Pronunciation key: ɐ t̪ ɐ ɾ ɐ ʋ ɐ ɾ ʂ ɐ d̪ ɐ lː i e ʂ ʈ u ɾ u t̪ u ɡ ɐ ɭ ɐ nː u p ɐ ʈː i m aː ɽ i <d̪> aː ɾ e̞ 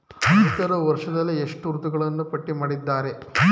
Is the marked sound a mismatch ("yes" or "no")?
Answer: yes